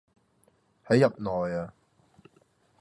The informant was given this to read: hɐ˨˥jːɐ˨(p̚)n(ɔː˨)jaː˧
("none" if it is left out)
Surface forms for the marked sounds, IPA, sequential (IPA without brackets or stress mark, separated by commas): p̚, ɔː˨